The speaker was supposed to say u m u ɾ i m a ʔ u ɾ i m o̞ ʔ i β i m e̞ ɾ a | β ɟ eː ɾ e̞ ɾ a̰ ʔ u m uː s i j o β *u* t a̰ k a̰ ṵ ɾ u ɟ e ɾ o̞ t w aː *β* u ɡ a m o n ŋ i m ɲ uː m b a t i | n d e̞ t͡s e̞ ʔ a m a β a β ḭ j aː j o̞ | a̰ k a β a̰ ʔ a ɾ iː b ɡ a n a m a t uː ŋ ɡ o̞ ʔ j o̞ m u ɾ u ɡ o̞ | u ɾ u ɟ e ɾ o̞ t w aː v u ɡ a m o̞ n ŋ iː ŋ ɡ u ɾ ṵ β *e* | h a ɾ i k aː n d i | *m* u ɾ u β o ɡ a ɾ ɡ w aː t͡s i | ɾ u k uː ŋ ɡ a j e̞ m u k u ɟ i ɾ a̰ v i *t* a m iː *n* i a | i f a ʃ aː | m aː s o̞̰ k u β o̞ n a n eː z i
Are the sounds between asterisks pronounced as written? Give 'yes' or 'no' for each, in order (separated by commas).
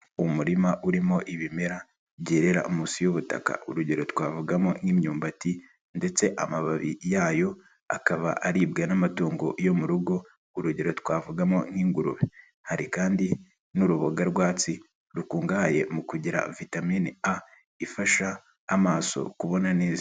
yes, no, yes, no, yes, yes